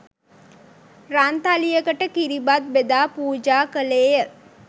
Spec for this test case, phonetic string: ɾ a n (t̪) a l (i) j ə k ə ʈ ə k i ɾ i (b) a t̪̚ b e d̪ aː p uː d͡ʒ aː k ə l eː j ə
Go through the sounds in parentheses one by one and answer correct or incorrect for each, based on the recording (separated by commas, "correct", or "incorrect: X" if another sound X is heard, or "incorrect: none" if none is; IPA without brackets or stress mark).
correct, correct, correct